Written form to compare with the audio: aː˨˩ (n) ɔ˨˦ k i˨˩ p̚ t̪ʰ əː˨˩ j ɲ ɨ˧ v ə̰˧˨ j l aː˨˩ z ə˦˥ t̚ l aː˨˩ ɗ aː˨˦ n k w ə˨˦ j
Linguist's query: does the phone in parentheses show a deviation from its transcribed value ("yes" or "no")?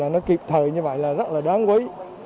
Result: no